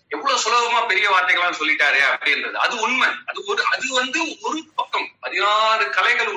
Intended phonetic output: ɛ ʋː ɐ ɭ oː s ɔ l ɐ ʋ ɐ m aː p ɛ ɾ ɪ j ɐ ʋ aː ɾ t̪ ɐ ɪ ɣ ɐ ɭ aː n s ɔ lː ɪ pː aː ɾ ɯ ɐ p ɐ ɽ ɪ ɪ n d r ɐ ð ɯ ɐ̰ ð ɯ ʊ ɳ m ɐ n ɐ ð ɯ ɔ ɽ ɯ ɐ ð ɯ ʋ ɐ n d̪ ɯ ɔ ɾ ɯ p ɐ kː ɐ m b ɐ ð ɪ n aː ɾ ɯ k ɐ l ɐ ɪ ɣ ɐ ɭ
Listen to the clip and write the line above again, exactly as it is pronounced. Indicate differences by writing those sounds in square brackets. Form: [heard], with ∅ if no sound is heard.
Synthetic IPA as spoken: ɛ ʋː ɐ ɭ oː s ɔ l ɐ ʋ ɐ m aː p ɛ ɾ ɪ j ɐ ʋ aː ɾ t̪ ɐ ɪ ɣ ɐ ɭ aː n s ɔ lː ɪ [ʈː] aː ɾ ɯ ɐ p ɐ ɽ ɪ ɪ n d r ɐ ð ɯ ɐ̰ ð ɯ ʊ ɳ m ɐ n ɐ ð ɯ ɔ [ɾ] ɯ ɐ ð ɯ ʋ ɐ n d̪ ɯ ɔ ɾ ɯ p ɐ kː ɐ m [p] ɐ ð ɪ n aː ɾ ɯ k ɐ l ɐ ɪ ɣ ɐ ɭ